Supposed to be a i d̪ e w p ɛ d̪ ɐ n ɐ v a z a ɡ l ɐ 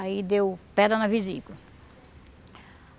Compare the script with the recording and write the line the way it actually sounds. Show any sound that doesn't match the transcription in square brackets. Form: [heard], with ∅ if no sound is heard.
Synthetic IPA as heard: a i d̪ e w p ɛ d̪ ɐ n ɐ v [i] z [i] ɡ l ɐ